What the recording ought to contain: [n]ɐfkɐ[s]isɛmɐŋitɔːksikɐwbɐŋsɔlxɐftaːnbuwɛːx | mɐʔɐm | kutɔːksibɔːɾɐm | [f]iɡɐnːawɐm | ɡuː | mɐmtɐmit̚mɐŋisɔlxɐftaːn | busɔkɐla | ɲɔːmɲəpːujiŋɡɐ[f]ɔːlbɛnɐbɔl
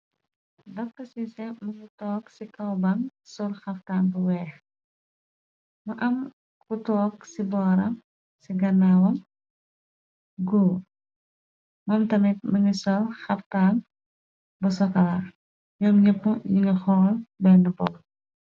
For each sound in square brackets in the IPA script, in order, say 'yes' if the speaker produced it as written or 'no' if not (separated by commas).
no, yes, no, no